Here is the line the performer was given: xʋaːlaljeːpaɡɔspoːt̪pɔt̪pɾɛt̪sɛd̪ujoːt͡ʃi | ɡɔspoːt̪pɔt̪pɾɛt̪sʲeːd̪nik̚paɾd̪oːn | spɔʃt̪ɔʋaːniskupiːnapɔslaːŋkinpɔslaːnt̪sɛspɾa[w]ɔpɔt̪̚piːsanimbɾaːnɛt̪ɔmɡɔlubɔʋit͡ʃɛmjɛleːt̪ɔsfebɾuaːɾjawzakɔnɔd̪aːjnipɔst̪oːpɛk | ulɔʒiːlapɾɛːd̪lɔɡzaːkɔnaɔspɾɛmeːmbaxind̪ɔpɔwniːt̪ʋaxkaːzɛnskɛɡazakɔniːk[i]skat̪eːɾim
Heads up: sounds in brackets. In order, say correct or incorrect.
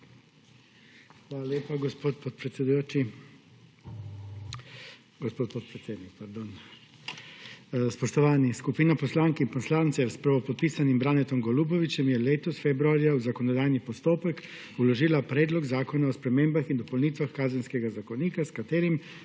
incorrect: ʋ, incorrect: a

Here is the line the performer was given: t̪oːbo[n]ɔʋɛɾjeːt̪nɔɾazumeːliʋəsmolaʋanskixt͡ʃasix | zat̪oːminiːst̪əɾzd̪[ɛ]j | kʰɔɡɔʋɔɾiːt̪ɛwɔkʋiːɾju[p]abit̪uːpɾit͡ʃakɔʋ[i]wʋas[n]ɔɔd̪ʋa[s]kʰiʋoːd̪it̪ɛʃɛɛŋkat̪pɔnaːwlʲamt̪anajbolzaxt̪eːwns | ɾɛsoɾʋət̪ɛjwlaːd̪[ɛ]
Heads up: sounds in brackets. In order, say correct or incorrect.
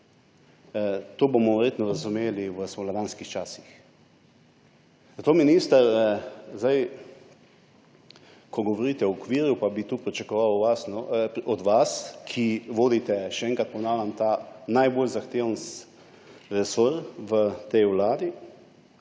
incorrect: m, incorrect: a, correct, incorrect: a, correct, correct, incorrect: i

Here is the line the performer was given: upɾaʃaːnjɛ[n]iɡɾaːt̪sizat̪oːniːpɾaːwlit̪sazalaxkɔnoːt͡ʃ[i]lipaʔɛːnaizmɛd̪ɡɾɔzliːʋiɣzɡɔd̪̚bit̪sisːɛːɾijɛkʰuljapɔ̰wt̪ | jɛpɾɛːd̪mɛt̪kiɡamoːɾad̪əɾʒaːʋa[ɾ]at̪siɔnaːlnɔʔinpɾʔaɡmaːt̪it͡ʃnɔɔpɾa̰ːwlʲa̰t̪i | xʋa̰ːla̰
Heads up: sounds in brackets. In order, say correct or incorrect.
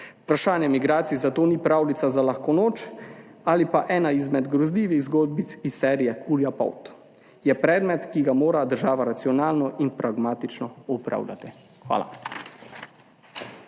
incorrect: m, incorrect: a, correct

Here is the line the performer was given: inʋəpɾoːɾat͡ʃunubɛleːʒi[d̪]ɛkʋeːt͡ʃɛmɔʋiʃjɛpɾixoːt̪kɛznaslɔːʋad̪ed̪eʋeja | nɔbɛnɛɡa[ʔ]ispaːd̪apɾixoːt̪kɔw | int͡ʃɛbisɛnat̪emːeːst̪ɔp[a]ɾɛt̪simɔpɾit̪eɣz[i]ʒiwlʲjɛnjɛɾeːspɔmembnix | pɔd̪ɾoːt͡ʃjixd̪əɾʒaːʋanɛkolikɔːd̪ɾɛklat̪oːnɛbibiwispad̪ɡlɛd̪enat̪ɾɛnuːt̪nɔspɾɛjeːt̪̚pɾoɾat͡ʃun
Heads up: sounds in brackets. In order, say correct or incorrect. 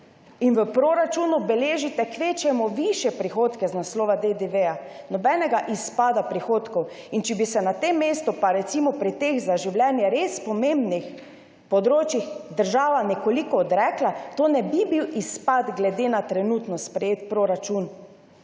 incorrect: t̪, correct, correct, incorrect: a

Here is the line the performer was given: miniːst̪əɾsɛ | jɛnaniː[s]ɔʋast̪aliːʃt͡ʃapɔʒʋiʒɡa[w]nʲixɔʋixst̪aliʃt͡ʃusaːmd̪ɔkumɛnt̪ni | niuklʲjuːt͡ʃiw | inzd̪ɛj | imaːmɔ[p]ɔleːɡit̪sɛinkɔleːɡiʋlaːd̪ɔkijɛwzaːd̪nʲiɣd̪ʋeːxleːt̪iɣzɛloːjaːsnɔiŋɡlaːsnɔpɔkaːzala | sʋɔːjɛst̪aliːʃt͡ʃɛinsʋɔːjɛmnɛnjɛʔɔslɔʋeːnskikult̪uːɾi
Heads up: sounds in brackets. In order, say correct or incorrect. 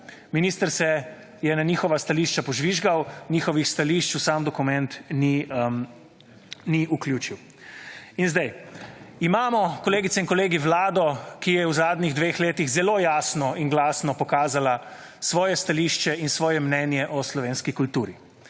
incorrect: x, correct, incorrect: k

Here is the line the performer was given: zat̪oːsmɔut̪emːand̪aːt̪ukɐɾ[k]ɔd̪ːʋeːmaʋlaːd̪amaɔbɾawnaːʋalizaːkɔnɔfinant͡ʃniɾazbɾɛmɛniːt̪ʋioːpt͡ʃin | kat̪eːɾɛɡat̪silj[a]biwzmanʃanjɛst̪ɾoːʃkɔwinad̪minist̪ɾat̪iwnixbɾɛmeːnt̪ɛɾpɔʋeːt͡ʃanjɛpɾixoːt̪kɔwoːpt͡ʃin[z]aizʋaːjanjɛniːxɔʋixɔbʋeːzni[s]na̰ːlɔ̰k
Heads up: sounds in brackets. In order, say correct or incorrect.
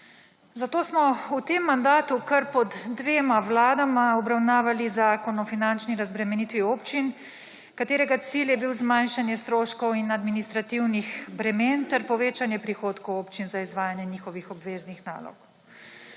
incorrect: p, incorrect: ɛ, correct, incorrect: x

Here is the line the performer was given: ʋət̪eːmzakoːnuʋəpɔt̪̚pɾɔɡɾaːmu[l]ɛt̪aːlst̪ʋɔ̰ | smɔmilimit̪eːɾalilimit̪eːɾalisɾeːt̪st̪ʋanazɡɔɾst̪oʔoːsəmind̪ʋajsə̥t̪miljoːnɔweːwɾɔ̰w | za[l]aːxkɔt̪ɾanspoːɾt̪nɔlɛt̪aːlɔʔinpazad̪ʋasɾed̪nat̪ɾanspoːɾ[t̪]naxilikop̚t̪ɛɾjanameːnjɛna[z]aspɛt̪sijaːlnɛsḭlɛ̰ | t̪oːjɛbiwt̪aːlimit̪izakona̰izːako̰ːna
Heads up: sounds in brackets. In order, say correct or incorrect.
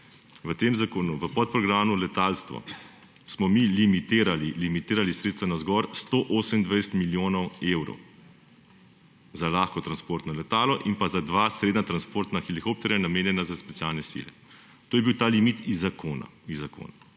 correct, correct, correct, correct

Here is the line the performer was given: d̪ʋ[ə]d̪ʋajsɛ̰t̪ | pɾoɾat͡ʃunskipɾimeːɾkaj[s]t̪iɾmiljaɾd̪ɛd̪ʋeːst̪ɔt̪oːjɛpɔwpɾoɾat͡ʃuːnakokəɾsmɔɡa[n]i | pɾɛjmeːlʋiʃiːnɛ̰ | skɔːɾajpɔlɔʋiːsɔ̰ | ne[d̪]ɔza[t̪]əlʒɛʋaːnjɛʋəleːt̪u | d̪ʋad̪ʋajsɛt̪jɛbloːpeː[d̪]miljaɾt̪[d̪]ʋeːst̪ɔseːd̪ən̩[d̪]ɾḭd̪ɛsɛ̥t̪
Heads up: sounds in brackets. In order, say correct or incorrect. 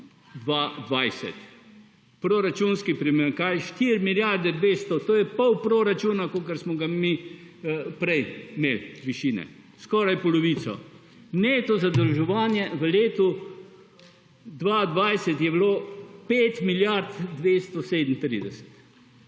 incorrect: a, incorrect: ʃ, incorrect: m, incorrect: t̪, incorrect: d̪, incorrect: t̪, correct, incorrect: t̪

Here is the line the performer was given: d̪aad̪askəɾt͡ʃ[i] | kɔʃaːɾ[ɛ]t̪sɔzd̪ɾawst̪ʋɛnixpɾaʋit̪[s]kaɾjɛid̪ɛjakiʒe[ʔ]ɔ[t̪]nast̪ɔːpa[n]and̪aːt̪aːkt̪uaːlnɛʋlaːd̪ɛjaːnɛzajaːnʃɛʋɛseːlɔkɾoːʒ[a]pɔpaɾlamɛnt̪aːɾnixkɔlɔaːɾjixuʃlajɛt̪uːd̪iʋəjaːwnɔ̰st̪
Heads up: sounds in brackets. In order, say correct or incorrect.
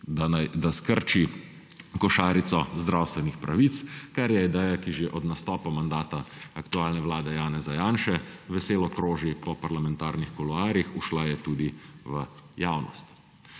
correct, incorrect: i, correct, correct, incorrect: d̪, incorrect: m, incorrect: i

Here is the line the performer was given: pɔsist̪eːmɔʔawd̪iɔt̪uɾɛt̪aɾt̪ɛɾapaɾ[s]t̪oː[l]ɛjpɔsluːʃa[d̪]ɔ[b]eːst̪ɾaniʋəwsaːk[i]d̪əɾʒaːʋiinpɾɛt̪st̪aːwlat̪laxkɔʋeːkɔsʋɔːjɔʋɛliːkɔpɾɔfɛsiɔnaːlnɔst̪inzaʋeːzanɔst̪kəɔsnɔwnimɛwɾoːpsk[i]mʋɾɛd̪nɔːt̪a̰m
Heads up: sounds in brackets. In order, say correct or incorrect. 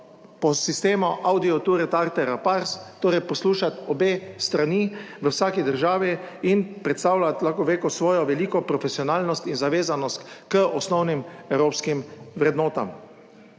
correct, incorrect: ɾ, incorrect: t̪, correct, correct, correct

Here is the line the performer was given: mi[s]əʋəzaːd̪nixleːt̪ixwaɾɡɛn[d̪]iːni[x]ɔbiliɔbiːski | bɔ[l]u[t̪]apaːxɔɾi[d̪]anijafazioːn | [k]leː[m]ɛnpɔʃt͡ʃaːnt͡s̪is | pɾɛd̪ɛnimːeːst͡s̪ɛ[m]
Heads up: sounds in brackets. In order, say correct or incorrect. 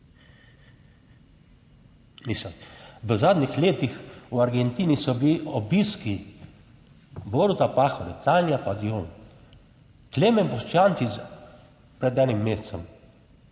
correct, incorrect: t̪, incorrect: s, incorrect: ɾ, correct, incorrect: t̪, correct, correct, correct

